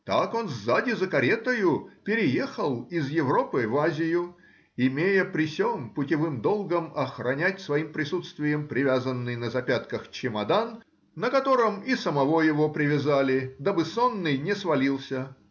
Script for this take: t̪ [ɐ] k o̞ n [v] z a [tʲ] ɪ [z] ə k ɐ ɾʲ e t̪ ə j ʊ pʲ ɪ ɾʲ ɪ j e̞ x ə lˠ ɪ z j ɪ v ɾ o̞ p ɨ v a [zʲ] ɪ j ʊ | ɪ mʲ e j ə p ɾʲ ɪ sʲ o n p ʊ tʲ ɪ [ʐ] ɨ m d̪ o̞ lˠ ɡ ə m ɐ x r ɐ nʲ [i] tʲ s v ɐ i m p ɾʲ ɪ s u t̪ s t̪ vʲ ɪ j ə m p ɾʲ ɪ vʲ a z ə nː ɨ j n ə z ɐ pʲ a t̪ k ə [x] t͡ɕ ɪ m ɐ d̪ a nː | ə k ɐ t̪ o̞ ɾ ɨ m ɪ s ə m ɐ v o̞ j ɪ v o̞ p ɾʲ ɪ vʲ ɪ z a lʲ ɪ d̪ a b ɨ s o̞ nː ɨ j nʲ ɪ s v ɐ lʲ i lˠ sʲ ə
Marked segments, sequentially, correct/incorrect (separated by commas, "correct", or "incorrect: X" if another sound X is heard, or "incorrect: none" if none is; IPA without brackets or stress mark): incorrect: a, incorrect: z, incorrect: dʲ, correct, correct, incorrect: v, incorrect: æ, correct